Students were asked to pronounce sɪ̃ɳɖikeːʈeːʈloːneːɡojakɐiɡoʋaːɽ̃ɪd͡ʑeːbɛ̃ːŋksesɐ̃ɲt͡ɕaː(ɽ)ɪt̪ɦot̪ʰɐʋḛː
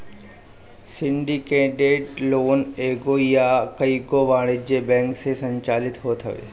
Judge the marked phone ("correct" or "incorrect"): incorrect